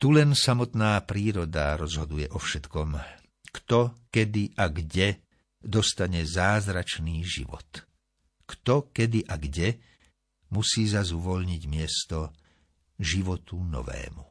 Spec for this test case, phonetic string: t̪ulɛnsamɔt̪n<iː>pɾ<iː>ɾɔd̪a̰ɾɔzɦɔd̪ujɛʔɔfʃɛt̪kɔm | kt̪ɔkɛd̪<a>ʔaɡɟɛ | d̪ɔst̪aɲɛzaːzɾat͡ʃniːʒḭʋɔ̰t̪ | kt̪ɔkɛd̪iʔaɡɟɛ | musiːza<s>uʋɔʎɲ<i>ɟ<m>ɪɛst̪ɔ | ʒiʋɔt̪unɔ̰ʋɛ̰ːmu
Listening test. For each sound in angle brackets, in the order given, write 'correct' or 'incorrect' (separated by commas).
incorrect, correct, incorrect, incorrect, correct, correct